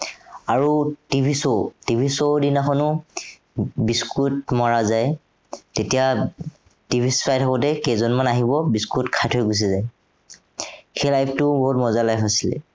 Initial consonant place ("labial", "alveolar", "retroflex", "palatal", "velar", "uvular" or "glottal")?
alveolar